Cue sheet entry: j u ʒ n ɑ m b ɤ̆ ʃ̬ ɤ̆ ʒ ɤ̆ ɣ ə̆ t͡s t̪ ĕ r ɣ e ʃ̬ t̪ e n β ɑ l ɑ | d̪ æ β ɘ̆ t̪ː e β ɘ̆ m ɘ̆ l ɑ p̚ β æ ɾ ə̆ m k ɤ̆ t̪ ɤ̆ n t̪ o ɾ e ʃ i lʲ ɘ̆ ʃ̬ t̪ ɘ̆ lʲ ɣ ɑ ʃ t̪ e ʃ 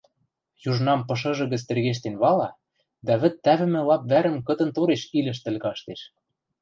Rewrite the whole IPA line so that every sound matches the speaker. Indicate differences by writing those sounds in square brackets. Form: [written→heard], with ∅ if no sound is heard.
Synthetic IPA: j u ʒ n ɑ m [b→p] ɤ̆ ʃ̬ ɤ̆ ʒ ɤ̆ ɣ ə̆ t͡s t̪ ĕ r ɣ e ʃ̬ t̪ e n β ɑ l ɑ | d̪ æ β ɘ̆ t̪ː [e→æ] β ɘ̆ m ɘ̆ l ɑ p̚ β æ ɾ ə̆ m k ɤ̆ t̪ ɤ̆ n t̪ o ɾ e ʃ i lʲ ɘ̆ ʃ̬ t̪ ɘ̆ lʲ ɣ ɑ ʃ t̪ e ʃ